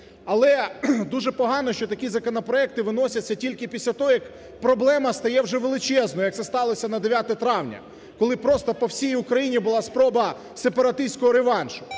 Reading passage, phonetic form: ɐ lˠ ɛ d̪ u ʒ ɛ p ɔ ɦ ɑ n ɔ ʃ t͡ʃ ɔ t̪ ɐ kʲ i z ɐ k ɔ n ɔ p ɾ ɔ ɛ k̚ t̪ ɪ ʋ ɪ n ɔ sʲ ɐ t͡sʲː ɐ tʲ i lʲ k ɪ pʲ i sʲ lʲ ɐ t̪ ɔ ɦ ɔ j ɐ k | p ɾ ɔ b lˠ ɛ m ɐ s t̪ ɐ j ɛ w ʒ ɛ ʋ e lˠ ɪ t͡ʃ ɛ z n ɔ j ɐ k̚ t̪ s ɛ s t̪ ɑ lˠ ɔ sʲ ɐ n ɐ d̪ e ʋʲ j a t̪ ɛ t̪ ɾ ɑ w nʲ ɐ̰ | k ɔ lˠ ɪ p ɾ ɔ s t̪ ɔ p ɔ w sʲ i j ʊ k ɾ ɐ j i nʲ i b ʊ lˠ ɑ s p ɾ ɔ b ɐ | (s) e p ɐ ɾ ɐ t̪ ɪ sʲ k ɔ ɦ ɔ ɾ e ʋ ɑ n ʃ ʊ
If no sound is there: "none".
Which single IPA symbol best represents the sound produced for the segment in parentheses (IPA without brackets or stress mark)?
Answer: s